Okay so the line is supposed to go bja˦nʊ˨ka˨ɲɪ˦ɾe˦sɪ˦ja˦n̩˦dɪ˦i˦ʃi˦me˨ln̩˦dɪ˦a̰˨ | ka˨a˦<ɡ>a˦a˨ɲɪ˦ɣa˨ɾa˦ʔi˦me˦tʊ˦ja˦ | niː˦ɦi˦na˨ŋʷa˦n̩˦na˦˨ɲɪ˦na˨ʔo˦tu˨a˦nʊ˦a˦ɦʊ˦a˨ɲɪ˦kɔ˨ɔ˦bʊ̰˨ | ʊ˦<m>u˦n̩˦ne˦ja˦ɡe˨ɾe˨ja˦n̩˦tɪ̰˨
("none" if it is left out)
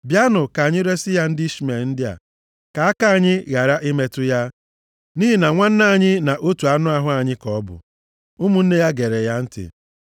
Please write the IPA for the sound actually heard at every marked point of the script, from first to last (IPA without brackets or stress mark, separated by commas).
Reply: k, m